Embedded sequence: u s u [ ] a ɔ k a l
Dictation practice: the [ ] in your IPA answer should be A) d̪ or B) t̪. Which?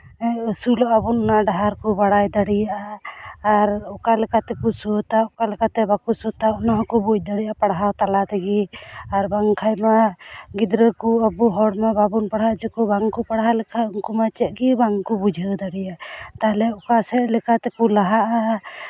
B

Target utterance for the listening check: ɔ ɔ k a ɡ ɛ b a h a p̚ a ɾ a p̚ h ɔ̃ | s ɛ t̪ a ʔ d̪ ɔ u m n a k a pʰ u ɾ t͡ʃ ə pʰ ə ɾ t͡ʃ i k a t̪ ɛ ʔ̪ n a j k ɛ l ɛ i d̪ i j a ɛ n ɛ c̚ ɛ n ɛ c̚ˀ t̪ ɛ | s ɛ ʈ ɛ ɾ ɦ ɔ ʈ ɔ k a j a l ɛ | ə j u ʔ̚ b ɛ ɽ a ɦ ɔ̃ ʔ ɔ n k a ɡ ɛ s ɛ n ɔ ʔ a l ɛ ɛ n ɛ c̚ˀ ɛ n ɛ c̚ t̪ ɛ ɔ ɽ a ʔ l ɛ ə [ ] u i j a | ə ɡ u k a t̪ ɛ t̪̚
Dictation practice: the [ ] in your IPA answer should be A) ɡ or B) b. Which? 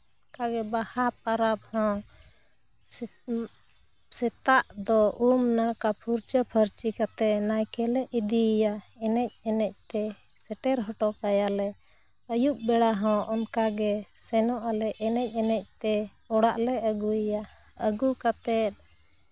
A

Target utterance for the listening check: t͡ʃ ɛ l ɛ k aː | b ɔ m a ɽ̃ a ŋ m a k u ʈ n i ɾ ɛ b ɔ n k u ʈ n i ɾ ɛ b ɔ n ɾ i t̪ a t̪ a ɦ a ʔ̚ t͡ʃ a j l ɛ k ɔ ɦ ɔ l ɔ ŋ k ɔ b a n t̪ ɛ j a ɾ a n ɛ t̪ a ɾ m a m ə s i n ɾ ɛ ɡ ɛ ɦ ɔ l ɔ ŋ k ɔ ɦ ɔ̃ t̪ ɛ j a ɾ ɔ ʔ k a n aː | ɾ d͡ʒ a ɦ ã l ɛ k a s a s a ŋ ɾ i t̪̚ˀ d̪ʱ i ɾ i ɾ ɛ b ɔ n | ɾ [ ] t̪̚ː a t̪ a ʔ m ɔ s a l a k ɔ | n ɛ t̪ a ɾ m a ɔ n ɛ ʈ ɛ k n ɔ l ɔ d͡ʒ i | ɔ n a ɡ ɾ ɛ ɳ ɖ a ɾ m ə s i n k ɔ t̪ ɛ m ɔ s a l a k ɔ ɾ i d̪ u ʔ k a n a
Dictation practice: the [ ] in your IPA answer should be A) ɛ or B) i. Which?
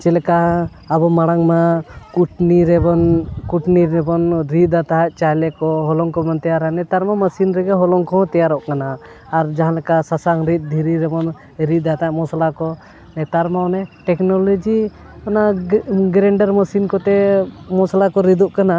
B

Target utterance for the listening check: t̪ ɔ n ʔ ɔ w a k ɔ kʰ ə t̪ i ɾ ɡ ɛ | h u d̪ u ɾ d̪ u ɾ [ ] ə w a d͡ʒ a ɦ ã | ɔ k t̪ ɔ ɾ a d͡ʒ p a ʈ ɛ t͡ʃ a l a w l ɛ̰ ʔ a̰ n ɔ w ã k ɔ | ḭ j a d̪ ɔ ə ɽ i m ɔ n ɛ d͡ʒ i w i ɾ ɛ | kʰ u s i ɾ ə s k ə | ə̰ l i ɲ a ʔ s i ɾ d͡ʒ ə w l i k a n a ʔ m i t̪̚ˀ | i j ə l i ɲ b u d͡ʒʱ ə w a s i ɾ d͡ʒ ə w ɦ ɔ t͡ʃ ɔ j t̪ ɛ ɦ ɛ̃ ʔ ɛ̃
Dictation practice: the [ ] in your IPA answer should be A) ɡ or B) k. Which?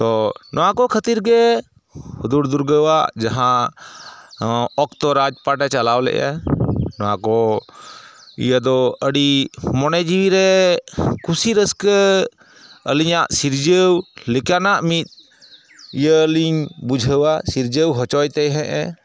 A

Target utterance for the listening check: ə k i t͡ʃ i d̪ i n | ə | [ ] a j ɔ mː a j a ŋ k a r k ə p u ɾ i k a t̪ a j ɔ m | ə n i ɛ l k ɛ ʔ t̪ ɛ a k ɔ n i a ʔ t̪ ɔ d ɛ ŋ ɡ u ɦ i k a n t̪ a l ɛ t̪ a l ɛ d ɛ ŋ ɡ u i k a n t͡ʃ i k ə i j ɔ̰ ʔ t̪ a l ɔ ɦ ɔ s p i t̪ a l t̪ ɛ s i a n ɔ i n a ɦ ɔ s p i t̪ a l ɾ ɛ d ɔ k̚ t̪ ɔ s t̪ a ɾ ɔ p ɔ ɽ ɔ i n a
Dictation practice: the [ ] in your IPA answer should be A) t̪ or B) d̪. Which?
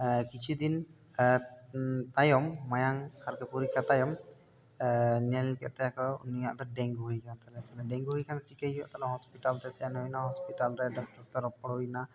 A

